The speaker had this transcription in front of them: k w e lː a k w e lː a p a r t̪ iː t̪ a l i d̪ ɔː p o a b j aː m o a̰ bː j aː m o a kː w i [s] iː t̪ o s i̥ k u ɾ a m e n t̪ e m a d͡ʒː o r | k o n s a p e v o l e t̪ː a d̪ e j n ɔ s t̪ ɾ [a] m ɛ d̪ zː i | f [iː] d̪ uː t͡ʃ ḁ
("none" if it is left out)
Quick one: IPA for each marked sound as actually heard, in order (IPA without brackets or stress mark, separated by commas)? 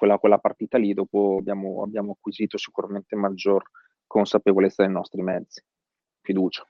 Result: z, i, i